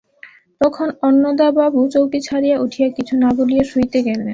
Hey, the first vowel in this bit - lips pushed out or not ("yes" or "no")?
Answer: yes